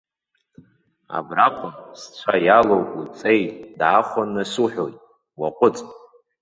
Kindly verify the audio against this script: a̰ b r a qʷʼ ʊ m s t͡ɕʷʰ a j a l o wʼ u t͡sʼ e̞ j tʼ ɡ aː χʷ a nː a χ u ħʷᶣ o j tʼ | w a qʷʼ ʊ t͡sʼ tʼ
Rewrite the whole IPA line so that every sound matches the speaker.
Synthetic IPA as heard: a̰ b r a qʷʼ ʊ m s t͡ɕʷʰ a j a l o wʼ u t͡sʼ e̞ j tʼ d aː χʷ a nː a s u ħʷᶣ o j tʼ | w a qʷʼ ʊ t͡sʼ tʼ